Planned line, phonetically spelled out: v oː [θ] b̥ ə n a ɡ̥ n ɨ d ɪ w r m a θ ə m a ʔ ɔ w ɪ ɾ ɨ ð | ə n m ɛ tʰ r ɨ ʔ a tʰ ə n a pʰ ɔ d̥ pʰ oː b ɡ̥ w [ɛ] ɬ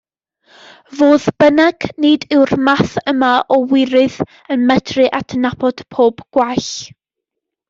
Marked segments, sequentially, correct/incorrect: incorrect: ð, incorrect: a

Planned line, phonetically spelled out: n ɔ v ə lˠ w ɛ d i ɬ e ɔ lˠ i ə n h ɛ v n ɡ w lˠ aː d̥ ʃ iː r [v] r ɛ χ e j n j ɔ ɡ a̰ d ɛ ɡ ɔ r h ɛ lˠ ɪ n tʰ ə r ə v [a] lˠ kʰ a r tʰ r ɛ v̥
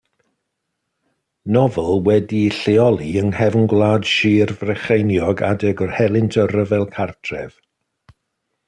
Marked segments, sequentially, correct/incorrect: correct, incorrect: ɛ

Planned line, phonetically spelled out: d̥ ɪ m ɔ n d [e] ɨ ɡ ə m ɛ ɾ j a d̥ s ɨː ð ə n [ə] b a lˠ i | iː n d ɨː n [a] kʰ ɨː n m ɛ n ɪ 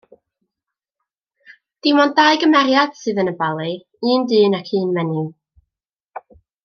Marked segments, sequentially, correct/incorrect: incorrect: a, correct, correct

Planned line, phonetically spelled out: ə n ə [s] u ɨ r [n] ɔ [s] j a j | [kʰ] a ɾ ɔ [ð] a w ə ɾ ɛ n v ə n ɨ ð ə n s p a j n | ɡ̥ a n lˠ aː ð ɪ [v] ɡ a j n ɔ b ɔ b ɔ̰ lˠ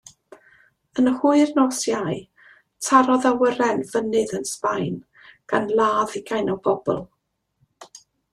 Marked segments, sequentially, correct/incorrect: incorrect: h, correct, correct, incorrect: tʰ, correct, incorrect: none

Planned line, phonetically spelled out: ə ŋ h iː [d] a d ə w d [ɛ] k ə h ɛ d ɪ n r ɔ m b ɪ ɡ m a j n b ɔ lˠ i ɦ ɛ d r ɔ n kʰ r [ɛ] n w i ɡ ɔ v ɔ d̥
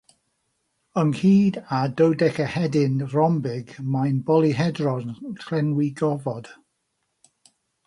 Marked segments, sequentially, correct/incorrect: correct, correct, correct

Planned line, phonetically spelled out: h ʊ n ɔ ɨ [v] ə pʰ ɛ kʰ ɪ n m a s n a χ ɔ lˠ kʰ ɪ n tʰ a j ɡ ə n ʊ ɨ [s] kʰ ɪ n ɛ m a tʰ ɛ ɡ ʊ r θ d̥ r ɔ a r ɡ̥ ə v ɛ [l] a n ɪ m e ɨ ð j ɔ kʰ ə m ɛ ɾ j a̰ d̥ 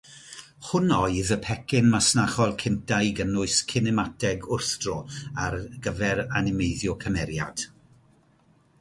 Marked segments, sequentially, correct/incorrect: incorrect: ð, correct, incorrect: ɾ

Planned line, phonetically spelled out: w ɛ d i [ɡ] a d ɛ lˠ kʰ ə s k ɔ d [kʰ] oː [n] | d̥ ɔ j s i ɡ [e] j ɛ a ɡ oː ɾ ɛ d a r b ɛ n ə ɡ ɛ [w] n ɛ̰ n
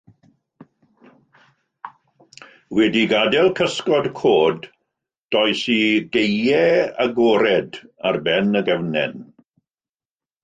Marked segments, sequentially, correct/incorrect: correct, correct, incorrect: d, correct, incorrect: v

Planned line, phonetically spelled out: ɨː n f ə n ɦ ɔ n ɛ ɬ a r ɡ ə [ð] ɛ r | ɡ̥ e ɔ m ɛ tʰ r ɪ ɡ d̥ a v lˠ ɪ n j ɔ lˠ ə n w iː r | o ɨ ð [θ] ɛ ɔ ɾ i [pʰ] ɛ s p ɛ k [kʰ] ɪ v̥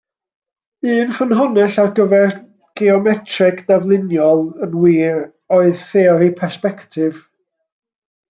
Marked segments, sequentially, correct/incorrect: incorrect: v, correct, correct, incorrect: tʰ

